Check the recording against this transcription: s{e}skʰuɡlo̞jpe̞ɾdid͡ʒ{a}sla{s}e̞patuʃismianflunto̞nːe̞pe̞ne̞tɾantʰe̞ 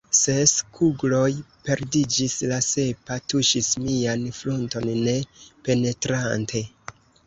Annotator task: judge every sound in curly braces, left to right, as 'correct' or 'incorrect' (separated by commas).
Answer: correct, incorrect, correct